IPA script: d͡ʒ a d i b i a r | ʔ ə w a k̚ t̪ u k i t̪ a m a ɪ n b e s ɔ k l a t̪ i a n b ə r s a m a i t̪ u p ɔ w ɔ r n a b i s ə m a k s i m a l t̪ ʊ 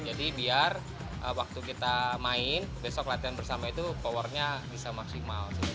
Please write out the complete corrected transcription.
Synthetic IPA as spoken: d͡ʒ a d i b i a r | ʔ ə w a k̚ t̪ u k i t̪ a m a ɪ n b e s ɔ k l a t̪ i a n b ə r s a m a i t̪ u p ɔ w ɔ r ɲ a b i s a m a k s i m a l t̪ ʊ